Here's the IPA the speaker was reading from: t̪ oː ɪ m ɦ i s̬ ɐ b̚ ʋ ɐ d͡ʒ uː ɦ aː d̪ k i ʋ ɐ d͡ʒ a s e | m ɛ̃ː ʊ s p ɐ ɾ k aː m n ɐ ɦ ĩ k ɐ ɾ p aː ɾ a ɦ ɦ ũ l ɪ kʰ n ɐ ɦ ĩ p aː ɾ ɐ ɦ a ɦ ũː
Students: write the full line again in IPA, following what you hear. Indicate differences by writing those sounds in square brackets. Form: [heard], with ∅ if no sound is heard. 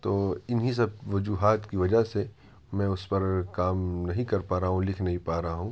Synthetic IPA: t̪ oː ɪ [n] ɦ i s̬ ɐ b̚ ʋ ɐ d͡ʒ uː ɦ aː [t̪] k i ʋ ɐ d͡ʒ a s e | m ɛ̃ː ʊ s p ɐ ɾ k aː m n ɐ ɦ ĩ k ɐ ɾ p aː ɾ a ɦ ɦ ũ l ɪ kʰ n ɐ ɦ ĩ p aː ɾ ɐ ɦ a ɦ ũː